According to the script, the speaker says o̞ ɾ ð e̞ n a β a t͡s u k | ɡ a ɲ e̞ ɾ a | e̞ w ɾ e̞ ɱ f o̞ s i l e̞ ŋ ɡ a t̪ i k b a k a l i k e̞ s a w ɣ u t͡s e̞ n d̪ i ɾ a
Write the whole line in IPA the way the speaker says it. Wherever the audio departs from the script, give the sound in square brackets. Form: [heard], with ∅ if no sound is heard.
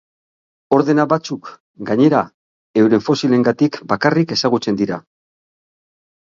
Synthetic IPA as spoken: o̞ ɾ ð e̞ n a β a t͡s u k | ɡ a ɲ e̞ ɾ a | e̞ w ɾ e̞ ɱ f o̞ s i l e̞ ŋ ɡ a t̪ i k b a k a [r] i k e̞ s a [∅] ɣ u t͡s e̞ n d̪ i ɾ a